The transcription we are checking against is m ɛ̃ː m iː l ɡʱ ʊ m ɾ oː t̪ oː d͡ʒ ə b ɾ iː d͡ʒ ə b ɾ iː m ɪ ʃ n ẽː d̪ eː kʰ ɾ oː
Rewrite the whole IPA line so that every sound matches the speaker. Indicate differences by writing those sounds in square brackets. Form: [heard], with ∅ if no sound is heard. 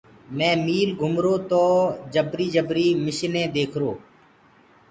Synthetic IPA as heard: m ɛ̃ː m iː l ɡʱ ʊ m ɾ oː t̪ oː d͡ʒ ə b ɾ iː d͡ʒ ə b ɾ iː m ɪ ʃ n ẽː d̪ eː kʰ ɾ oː